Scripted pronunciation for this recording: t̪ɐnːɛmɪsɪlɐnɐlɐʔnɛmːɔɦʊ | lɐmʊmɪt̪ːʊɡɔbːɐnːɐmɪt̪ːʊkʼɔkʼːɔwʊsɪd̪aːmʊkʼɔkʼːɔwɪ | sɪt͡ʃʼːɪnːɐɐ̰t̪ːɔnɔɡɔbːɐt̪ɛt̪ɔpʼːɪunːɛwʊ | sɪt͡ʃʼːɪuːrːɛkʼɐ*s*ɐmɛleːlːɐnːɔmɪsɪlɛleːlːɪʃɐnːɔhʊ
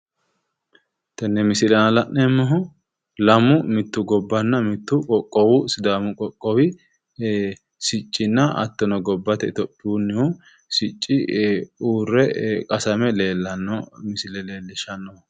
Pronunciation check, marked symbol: correct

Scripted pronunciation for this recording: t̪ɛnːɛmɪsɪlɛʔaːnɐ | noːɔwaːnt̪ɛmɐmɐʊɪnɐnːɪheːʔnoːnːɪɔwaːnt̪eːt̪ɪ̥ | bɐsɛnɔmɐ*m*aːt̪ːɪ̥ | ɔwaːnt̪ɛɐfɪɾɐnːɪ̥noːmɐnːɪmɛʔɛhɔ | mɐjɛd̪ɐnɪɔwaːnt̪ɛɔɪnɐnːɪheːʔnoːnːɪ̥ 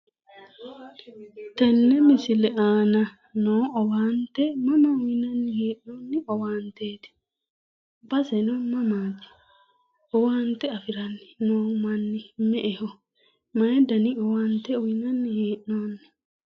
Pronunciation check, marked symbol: correct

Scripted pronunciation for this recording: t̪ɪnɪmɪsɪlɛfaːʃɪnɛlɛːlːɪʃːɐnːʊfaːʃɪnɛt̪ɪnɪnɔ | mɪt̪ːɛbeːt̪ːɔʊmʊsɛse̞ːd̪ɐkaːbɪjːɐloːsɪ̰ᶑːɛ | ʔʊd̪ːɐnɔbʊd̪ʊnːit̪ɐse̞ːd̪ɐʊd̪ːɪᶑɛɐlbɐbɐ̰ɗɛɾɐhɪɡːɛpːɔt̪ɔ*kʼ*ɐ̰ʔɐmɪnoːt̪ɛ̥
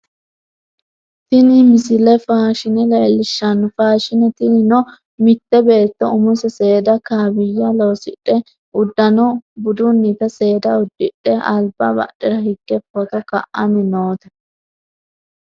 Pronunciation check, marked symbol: incorrect: k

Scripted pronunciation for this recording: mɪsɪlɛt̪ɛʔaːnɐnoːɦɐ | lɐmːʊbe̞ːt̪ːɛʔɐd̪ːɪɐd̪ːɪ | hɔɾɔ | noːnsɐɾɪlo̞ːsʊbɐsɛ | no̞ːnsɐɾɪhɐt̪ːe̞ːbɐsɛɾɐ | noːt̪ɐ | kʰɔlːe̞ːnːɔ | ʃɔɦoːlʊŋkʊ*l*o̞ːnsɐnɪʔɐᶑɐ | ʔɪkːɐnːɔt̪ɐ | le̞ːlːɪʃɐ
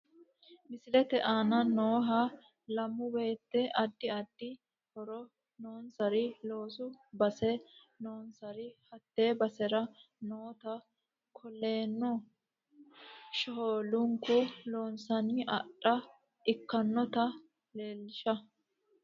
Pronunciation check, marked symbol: correct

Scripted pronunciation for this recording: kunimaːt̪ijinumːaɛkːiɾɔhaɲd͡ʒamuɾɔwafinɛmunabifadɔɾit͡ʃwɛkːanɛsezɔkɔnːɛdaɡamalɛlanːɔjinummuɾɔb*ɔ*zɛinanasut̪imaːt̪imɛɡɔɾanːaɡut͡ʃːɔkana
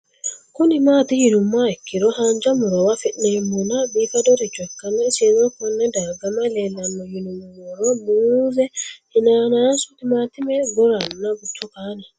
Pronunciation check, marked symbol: incorrect: u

